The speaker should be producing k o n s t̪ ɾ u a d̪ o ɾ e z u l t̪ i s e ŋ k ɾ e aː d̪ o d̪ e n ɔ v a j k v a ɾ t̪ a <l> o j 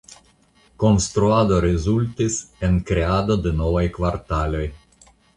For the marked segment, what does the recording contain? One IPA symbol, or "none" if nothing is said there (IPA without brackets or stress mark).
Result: l